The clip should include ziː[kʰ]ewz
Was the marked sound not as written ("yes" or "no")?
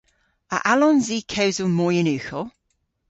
no